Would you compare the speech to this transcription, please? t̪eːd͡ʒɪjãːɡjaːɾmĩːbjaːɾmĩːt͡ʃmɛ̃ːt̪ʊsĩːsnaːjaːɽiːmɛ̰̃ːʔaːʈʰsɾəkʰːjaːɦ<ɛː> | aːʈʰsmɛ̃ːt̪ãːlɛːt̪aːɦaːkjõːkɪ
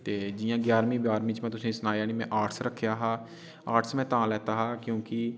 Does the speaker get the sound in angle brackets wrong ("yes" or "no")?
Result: yes